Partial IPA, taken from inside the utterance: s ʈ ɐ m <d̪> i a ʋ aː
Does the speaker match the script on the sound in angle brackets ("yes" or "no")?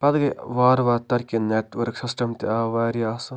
no